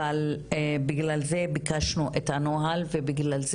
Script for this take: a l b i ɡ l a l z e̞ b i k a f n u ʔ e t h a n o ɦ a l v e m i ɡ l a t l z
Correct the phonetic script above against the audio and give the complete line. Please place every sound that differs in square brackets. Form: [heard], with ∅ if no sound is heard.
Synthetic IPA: a l b i ɡ l a l z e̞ b i k a [ʃ] n u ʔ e t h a n o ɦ a l v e [b] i ɡ l a [∅] l z